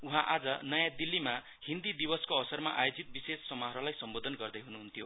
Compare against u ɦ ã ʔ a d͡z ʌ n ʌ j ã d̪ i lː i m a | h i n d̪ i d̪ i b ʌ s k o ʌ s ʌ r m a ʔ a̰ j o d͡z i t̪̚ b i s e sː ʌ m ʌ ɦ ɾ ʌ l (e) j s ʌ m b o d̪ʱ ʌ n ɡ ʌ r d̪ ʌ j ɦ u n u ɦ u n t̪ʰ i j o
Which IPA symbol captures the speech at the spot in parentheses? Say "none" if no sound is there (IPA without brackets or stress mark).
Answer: a